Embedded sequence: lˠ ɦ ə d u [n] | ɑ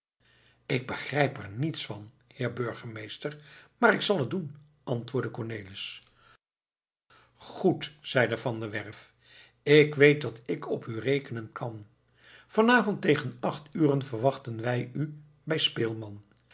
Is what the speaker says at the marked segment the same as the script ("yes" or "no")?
yes